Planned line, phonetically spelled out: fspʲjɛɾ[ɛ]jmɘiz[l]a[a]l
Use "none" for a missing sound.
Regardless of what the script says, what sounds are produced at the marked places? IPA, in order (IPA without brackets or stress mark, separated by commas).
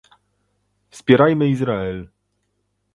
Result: a, ɾ, ɛ